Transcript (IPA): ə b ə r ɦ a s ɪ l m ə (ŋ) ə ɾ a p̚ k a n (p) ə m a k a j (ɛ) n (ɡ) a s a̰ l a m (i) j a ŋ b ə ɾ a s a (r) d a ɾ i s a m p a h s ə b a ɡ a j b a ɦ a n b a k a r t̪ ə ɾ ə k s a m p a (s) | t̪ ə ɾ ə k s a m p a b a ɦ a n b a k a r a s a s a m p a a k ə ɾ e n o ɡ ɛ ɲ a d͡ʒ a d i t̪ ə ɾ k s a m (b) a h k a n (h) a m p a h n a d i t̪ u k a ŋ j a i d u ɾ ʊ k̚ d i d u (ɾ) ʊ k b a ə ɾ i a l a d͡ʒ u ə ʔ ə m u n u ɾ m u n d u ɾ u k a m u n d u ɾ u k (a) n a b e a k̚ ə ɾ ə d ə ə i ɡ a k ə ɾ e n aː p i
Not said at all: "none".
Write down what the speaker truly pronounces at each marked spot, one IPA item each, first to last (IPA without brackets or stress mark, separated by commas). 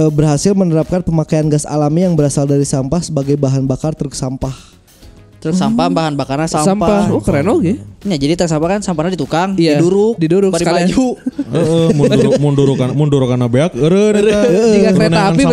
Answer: n, p, a, ɡ, i, l, h, p, s, ɾ, a